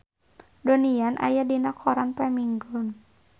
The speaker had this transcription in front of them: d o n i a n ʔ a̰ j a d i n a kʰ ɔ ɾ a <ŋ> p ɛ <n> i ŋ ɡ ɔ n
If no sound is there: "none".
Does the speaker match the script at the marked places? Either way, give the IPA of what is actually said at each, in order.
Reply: n, m

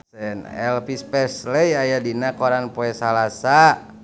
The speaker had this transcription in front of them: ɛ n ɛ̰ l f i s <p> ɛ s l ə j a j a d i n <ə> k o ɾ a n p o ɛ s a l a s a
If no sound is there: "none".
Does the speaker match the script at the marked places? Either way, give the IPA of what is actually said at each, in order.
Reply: p, a

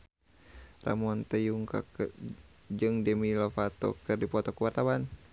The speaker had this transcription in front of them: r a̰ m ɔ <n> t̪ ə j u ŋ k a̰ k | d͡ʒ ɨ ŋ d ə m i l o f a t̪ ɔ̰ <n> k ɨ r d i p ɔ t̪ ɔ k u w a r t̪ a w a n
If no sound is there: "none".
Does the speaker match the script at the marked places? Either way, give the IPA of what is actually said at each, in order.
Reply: n, none

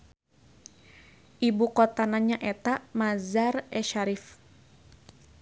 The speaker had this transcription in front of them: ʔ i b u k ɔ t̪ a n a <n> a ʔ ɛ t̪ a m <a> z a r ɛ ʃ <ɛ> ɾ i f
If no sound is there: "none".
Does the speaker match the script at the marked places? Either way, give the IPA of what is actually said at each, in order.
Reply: ɲ, a, a

